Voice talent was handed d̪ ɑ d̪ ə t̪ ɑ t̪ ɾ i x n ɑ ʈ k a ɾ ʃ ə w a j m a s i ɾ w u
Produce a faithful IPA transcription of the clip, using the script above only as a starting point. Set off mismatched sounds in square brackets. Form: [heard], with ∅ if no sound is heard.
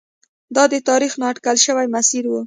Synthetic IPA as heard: d̪ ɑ d̪ ə t̪ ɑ [∅] ɾ i x n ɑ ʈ k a [l] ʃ ə w a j m a s i ɾ w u

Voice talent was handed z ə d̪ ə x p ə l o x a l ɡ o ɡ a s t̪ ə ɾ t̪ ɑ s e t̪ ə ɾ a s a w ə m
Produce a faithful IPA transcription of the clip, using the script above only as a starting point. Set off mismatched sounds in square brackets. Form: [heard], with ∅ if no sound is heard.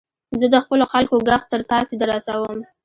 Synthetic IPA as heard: z ə d̪ ə x p ə l o x a l [k] o ɡ a [x] t̪ ə ɾ t̪ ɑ s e [d̪] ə ɾ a s a w ə m

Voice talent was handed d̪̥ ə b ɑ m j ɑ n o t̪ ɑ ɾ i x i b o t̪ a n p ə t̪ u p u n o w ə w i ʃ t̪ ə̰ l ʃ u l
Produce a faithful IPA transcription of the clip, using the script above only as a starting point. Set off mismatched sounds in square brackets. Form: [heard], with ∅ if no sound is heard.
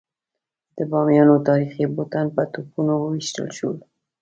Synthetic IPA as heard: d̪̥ ə b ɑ m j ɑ n o t̪ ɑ ɾ i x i b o t̪ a n p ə t̪ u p u n o w ə w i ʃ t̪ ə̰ l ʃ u l

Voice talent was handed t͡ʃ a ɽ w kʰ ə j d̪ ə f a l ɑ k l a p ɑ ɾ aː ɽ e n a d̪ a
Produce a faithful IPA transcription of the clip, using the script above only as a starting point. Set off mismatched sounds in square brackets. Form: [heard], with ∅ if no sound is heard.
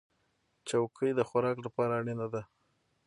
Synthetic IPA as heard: t͡ʃ a [∅] w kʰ ə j d̪ ə [x] a [ɾ] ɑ k l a p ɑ ɾ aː ɽ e n a d̪ a

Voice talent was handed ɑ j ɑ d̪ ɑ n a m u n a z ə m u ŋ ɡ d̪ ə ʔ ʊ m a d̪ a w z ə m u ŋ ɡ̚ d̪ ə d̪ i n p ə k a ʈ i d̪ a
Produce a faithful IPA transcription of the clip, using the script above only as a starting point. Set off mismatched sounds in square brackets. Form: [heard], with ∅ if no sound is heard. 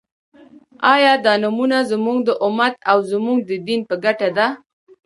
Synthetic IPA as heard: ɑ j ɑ d̪ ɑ n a m u n a z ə m u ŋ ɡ d̪ ə ʔ ʊ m a [t̪] a w z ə m u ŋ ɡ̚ d̪ ə d̪ i n p ə [ɡ] a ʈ [a] d̪ a

